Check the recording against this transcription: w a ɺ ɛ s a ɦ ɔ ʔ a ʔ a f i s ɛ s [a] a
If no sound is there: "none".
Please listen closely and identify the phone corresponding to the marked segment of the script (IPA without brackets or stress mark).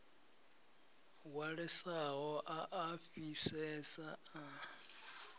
a